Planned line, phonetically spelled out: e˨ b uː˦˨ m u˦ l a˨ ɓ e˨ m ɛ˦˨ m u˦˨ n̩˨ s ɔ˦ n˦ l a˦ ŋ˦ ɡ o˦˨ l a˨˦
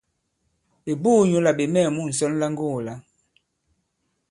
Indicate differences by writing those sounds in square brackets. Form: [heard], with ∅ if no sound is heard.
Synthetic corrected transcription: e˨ b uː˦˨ [ɲ] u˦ l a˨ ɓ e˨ m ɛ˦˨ m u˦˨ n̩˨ s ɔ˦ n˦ l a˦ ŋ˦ ɡ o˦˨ l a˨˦